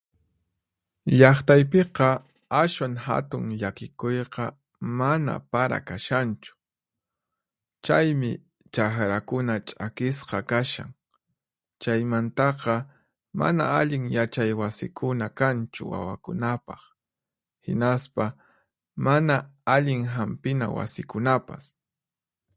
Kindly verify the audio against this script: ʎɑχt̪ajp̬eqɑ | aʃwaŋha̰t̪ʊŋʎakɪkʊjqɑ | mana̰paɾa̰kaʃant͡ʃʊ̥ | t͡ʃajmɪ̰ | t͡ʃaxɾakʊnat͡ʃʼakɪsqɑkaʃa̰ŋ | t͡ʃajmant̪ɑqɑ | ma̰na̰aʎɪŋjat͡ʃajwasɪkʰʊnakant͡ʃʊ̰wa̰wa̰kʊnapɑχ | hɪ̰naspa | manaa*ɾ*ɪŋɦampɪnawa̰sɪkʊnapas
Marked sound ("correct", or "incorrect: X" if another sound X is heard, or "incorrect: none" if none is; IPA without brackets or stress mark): incorrect: ʎ